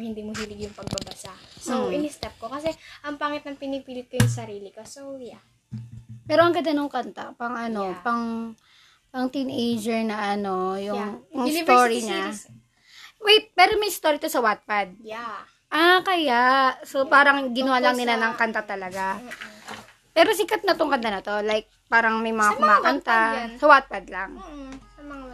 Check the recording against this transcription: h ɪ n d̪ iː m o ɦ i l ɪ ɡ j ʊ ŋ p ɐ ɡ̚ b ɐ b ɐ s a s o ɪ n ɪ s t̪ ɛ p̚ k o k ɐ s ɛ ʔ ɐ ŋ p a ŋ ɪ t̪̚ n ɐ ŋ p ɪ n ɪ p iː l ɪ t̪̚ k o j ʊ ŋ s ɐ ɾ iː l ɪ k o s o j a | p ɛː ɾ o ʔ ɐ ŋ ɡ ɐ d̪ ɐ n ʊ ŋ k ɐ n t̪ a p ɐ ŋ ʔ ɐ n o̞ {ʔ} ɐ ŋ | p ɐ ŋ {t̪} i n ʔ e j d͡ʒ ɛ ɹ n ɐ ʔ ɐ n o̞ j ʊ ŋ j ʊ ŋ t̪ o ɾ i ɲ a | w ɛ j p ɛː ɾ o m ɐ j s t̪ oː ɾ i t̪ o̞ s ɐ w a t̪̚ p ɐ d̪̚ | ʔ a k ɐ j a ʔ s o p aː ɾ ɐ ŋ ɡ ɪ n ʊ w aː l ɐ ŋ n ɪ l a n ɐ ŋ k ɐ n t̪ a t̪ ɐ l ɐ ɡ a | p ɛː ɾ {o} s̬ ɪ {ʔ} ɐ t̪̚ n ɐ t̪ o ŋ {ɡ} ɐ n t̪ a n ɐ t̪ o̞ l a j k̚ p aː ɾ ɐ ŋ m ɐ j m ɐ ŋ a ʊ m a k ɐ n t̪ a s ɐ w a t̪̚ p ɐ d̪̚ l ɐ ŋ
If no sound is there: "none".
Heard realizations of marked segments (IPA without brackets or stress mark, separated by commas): p, t̪, o, k, k